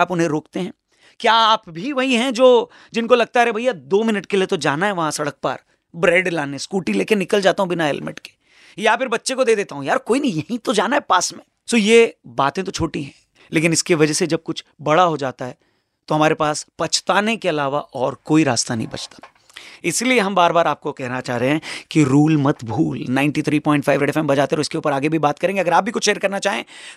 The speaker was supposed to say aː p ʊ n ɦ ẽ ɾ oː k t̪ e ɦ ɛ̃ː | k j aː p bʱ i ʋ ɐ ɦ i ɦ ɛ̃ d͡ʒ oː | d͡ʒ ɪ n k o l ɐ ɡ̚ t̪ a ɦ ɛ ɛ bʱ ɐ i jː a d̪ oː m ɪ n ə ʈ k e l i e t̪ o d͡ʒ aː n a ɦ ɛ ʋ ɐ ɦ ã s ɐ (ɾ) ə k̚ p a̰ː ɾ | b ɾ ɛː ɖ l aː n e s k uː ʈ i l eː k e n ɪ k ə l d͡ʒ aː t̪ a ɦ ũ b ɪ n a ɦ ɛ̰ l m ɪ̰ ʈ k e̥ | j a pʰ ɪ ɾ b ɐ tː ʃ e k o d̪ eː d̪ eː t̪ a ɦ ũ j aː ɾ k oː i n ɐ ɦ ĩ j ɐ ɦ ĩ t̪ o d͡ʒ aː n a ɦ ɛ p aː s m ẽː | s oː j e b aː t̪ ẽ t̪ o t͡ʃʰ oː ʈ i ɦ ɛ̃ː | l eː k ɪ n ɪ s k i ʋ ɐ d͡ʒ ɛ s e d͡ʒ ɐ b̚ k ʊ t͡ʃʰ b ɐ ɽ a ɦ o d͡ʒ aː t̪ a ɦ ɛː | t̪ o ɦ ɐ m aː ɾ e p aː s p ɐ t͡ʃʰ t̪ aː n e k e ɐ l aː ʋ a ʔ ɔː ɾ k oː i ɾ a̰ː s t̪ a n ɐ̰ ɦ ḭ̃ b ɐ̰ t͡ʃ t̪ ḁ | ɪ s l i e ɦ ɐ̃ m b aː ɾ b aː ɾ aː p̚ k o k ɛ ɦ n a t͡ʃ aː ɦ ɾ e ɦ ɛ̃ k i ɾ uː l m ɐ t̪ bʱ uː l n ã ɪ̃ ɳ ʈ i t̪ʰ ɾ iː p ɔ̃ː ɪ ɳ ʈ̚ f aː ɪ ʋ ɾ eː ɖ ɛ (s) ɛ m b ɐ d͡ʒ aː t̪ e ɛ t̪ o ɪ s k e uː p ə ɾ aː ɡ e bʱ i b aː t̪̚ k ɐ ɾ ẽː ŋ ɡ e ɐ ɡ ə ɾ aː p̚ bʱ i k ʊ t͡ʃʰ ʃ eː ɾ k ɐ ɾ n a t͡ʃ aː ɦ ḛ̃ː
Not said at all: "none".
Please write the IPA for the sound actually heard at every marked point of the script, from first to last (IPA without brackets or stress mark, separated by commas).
ɽ, f